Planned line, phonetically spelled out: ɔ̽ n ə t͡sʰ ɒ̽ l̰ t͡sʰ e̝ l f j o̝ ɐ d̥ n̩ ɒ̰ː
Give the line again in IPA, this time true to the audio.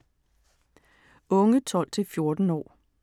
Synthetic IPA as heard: ɔ̽ ŋ ə t͡sʰ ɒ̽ l̰ t͡sʰ e̝ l f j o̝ ɐ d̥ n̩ ɒ̰ː